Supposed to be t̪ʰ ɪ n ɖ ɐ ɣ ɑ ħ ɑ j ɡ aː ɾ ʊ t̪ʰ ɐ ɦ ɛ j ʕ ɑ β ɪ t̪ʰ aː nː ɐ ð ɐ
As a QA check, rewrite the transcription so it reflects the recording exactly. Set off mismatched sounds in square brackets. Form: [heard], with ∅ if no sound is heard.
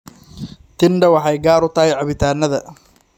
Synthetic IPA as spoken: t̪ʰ ɪ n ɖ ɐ [w] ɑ ħ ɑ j ɡ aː ɾ ʊ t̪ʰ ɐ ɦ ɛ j ʕ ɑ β ɪ t̪ʰ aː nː ɐ ð ɐ